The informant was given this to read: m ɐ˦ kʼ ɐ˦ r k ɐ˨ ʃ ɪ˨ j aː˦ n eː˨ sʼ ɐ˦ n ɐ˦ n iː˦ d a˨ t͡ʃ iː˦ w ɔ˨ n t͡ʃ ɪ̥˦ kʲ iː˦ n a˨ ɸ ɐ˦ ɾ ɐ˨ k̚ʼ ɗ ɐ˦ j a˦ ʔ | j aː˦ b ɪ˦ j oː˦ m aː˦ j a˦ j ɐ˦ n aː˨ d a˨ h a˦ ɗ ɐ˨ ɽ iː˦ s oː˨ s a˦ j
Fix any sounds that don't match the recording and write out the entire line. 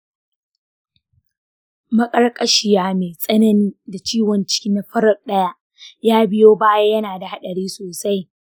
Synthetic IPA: m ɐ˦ kʼ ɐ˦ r kʼ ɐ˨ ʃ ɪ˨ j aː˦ m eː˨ sʼ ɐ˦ n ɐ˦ n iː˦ d a˨ t͡ʃ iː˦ w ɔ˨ n t͡ʃ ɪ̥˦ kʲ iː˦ n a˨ ɸ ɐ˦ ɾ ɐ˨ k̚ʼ ɗ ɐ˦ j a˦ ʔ | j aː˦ b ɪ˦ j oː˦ b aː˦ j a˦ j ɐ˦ n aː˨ d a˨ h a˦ ɗ ɐ˨ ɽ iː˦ s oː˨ s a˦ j